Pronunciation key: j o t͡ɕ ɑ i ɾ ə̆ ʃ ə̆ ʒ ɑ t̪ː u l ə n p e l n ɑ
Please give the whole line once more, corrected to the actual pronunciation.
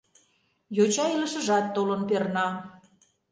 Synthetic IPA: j o t͡ɕ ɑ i l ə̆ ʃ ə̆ ʒ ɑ t̪ː o l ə n p e r n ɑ